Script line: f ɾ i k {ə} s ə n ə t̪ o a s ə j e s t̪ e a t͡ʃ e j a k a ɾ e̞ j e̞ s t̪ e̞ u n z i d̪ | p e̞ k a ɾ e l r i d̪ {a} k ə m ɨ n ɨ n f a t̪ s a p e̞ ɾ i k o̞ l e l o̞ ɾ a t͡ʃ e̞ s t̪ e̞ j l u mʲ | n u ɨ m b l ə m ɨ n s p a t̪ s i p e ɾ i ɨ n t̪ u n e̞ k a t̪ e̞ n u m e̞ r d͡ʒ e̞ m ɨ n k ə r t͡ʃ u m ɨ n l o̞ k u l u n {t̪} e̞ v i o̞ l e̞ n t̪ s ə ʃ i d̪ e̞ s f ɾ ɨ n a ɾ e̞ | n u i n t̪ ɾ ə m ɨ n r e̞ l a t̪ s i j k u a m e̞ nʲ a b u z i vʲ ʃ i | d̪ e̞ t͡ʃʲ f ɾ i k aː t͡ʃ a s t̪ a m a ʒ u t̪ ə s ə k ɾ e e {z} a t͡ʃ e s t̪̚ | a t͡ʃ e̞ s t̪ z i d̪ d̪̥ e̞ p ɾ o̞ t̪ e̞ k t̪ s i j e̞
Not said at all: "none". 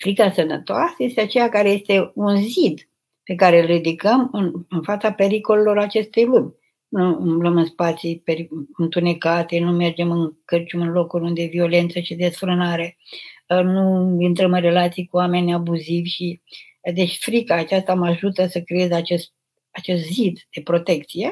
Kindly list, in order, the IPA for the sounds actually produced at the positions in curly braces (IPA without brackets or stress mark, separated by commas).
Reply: a, i, d̪, z